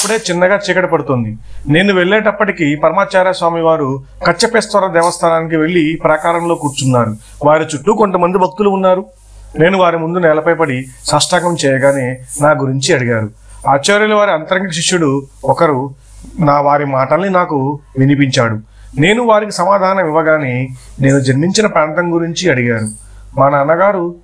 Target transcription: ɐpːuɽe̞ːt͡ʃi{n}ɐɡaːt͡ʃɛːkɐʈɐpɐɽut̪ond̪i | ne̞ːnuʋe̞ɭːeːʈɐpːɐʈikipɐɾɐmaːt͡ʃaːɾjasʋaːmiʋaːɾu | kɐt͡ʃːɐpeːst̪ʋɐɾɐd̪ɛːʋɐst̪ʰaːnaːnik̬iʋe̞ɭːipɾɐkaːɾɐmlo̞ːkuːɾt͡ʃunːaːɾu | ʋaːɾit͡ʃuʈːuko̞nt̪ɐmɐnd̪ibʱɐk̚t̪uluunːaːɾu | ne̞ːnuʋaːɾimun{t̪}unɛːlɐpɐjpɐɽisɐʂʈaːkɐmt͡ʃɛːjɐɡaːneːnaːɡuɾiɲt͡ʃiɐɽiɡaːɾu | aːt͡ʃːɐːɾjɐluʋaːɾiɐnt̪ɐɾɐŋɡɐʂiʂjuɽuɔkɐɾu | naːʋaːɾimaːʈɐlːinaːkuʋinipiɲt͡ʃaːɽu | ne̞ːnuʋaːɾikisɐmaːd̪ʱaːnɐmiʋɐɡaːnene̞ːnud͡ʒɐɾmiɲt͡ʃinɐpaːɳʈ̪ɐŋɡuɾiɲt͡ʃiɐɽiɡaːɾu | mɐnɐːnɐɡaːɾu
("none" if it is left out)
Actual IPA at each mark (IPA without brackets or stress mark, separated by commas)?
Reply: nː, d̪